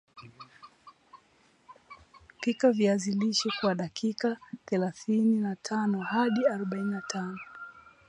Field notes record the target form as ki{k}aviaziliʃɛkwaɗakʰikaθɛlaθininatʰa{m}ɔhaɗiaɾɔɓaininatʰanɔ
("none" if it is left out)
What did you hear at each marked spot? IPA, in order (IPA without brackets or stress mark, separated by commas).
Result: k, n